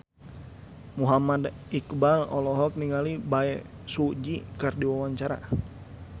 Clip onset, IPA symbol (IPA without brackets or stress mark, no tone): m